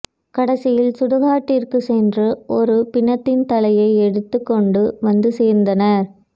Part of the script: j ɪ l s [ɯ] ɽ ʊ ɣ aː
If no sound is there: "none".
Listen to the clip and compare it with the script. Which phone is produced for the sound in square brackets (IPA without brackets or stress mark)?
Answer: ʊ